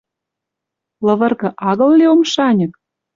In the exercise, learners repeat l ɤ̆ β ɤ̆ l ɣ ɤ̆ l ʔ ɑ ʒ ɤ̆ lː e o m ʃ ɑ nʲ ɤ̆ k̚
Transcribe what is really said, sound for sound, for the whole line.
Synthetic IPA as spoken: l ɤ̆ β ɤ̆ r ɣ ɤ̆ ʔ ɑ ɣ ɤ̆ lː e o m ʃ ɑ nʲ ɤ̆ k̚